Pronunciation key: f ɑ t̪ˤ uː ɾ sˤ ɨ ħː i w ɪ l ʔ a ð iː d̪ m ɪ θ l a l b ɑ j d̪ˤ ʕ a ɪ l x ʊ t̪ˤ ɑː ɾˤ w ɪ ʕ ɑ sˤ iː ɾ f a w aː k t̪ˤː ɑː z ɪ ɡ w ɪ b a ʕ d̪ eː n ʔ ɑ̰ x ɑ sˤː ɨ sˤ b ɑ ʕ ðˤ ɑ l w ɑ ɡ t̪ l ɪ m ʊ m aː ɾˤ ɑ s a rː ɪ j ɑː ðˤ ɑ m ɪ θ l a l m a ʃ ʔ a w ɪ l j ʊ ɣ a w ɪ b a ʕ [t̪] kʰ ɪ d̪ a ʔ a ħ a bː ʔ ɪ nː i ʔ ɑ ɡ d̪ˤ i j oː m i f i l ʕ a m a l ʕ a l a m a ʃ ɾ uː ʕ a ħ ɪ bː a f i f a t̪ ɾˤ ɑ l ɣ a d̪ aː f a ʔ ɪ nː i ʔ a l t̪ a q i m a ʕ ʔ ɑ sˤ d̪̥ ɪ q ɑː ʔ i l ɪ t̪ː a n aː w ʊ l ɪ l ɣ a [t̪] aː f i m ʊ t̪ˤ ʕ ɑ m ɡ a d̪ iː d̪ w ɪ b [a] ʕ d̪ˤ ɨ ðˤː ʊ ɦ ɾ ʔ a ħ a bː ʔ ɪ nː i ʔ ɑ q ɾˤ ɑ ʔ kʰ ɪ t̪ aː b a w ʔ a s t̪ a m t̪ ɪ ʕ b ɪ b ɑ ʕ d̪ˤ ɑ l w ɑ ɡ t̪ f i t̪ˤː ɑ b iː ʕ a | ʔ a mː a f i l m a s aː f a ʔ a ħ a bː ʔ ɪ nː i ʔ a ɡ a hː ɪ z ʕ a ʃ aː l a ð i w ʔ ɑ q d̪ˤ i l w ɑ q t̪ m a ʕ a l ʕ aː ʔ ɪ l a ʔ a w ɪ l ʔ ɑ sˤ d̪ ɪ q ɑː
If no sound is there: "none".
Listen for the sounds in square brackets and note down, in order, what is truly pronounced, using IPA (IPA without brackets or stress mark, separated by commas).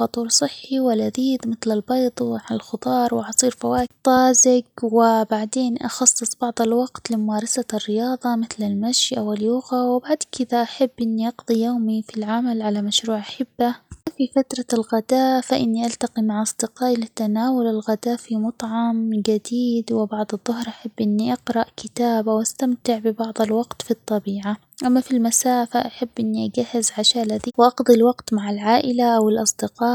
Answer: d̪, d̪, ɑ